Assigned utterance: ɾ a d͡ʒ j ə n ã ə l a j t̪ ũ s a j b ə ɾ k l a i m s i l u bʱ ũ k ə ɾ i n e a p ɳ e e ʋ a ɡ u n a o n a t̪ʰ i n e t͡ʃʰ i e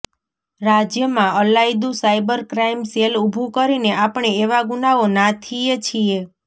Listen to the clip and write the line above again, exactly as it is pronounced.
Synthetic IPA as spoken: ɾ a d͡ʒ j ə m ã ə l a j d̪ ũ s a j b ə ɾ k ɾ a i m s e l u bʱ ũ k ə ɾ i n e a p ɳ e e ʋ a ɡ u n a o n a t̪ʰ i e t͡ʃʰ i e